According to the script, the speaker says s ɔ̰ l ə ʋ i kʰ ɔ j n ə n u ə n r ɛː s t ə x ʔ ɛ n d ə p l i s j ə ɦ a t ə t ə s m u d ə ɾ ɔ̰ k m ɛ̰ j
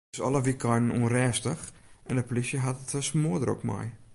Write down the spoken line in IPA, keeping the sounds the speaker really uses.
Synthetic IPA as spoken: s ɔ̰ l ə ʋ i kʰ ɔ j n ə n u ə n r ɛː s t ə x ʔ ɛ n d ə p l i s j ə ɦ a t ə t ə s m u d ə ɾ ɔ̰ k m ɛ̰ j